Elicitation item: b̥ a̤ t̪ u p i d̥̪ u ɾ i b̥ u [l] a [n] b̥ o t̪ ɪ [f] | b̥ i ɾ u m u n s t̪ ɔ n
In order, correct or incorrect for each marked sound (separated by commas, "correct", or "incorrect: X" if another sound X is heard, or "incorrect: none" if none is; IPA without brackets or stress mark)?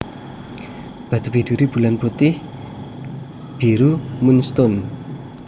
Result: correct, correct, incorrect: h